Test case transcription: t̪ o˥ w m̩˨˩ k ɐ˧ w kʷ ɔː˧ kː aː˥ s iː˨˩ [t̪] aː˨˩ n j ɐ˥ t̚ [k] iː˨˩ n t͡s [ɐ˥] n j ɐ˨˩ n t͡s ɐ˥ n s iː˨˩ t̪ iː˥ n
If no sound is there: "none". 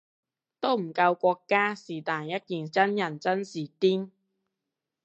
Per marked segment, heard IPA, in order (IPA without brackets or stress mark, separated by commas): t̪, k, ɐ˥